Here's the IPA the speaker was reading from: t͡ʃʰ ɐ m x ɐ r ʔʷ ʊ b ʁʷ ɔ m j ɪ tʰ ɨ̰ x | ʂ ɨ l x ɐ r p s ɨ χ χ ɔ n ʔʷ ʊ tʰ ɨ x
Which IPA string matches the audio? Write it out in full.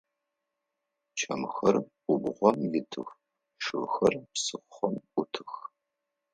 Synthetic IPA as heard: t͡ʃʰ ɐ m x ɐ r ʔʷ ʊ b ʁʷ ɔ m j ɪ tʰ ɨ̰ x | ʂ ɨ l x ɐ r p s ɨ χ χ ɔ m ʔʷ ʊ tʰ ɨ x

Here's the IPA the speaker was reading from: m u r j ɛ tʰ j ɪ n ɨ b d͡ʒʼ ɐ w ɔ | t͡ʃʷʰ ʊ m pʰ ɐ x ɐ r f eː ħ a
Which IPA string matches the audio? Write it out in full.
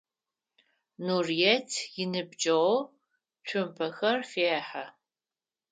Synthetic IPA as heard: n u r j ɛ tʰ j ɪ n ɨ b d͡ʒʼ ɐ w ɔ | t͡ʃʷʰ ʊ m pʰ ɐ x ɐ r f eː ħ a

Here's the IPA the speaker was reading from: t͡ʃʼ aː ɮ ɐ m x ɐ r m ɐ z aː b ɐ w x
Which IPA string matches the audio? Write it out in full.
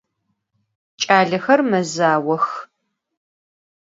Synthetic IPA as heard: t͡ʃʼ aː ɮ ɐ x ɐ r m ɐ z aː w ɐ x

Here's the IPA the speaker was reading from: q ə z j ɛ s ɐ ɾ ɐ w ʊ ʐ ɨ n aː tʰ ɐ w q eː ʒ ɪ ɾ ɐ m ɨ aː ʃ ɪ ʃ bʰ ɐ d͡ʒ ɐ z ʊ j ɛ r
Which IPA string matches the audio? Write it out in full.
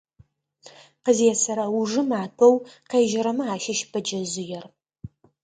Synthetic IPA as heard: q ə z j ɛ s ɐ ɾ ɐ w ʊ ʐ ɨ m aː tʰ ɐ w q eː ʒ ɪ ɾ ɐ m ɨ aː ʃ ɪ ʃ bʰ ɐ d͡ʒ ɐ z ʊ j ɛ r

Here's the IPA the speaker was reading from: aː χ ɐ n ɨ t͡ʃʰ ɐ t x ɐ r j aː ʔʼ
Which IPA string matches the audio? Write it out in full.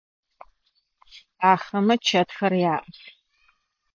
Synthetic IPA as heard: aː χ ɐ m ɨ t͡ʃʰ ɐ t x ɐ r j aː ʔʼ

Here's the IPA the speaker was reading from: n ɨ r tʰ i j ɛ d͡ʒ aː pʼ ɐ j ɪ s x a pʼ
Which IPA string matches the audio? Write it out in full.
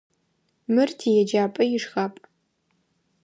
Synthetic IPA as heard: m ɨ r tʰ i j ɛ d͡ʒ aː pʼ ɐ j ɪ ʂ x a pʼ

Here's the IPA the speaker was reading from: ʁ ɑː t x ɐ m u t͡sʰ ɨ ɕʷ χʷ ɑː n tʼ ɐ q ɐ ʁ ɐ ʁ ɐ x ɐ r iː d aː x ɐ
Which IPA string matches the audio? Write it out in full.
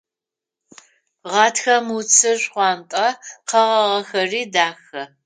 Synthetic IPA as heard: ʁ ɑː t x ɐ m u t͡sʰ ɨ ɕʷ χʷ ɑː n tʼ ɐ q ɐ ʁ ɐ ʁ ɐ x ɐ r iː d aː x ɐ

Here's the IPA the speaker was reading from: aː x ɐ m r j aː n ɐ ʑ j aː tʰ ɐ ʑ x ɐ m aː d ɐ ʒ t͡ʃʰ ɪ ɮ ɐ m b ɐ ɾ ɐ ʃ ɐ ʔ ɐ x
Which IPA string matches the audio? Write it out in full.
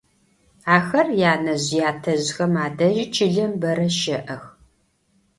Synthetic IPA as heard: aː x ɐ r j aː n ɐ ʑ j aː tʰ ɐ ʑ x ɐ m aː d ɐ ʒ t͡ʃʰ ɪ ɮ ɐ m b ɐ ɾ ɐ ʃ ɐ ʔ ɐ x

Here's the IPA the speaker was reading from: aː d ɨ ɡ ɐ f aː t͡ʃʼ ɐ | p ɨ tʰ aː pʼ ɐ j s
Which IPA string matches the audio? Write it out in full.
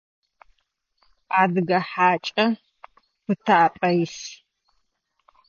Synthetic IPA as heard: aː d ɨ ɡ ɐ ħ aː t͡ʃʼ ɐ | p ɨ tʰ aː pʼ ɐ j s

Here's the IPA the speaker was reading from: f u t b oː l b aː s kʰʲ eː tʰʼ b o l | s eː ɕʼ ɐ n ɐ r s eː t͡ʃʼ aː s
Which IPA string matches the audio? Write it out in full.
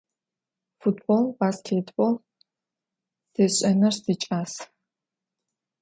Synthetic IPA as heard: f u t b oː l b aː s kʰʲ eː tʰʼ b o l | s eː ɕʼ ɐ n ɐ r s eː t͡ʃʼ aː s

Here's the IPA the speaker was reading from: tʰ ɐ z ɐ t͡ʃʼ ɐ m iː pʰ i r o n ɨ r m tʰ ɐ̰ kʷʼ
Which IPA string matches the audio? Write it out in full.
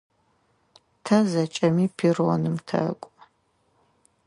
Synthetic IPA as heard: tʰ ɐ z ɐ t͡ʃʼ ɐ m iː pʰ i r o n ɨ m tʰ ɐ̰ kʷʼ

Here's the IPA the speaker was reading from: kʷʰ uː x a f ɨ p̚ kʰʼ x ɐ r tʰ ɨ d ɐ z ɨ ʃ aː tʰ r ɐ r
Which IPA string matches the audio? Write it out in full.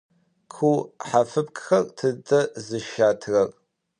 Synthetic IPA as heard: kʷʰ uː ħ a f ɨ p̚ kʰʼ x ɐ r tʰ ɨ d ɐ z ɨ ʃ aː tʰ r ɐ r

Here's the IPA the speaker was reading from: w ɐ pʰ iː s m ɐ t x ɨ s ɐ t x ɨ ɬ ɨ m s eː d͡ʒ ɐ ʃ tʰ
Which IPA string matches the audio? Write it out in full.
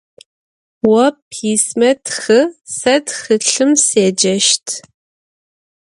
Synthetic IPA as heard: w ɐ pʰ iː s m ɐ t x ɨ s ɐ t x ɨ ɬ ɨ m s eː d͡ʒ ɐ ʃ tʰ

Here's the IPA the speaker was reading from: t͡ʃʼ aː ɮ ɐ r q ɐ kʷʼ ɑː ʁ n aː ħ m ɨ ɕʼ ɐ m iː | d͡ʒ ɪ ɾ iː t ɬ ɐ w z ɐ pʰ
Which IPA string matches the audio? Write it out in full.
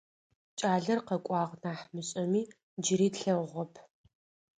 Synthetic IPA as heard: t͡ʃʼ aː ɮ ɐ r q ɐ kʷʼ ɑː ʁ n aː ħ m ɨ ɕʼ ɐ m iː | d͡ʒ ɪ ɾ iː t ɬ ɐ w ʁ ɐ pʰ

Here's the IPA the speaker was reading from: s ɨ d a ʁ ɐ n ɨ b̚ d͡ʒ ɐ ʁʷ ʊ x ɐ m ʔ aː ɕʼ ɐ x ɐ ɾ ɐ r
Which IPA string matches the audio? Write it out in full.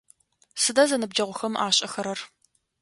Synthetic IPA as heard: s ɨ d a z ɐ n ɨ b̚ d͡ʒ ɐ ʁʷ ʊ x ɐ m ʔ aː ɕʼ ɐ x ɐ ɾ ɐ r

